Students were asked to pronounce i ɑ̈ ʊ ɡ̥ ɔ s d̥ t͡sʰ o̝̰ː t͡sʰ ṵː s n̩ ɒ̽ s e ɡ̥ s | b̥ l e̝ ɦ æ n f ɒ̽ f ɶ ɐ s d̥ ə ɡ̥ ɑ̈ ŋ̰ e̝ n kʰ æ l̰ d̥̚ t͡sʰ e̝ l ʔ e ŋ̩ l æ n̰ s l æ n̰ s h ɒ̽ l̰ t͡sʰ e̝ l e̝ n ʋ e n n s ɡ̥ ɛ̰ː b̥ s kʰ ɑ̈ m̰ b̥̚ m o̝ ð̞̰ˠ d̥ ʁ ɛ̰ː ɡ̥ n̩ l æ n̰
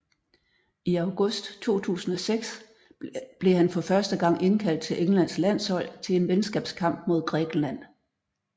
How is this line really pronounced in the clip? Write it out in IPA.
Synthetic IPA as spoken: i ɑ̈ ʊ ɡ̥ ɔ s d̥ t͡sʰ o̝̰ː t͡sʰ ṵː s n̩ ɒ̽ s e ɡ̥ s | b̥ l e̝ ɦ æ n f ɒ̽ f ɶ ɐ s d̥ ə ɡ̥ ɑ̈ ŋ̰ e̝ n kʰ æ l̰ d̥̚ t͡sʰ e̝ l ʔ e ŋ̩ l æ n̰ s l æ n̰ s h ɒ̽ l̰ t͡sʰ e̝ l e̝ n ʋ e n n s ɡ̥ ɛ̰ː b̥ s kʰ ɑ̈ m̰ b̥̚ m o̝ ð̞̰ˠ ɡ̥ ʁ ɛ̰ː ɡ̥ n̩ l æ n̰